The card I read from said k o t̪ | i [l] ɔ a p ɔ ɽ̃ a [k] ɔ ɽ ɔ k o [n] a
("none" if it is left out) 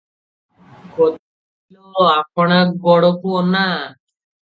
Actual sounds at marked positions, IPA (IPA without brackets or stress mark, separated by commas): l, ɡ, n